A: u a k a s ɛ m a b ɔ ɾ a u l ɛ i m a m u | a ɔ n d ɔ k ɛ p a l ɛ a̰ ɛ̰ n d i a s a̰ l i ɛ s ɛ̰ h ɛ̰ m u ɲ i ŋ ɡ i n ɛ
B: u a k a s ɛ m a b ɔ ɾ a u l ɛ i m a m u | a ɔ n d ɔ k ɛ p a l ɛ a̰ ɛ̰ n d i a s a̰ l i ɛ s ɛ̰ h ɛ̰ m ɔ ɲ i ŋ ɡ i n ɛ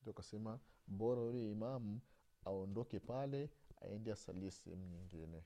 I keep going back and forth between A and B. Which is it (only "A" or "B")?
A